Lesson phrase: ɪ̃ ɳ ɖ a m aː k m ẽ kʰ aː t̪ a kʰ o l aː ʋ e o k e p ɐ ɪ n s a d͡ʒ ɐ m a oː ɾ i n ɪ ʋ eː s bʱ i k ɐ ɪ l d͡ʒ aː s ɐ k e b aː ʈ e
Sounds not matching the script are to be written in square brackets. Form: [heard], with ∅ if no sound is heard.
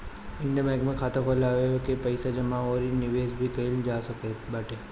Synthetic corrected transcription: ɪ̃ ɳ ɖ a m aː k m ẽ kʰ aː t̪ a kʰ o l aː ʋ e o k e p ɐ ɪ [∅] s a d͡ʒ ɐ m a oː ɾ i n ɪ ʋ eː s bʱ i k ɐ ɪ l d͡ʒ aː s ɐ k e b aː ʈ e